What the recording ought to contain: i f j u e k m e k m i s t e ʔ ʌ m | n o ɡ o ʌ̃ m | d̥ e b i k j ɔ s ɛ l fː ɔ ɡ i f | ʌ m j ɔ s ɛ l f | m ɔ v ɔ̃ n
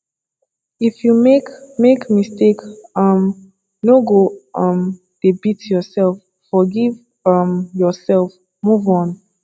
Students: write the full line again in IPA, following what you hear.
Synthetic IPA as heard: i f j u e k m e k m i s t e k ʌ m | n o ɡ o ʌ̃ m | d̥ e b i t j ɔ s ɛ l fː ɔ ɡ i v | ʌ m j ɔ s ɛ l f | m u v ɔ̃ n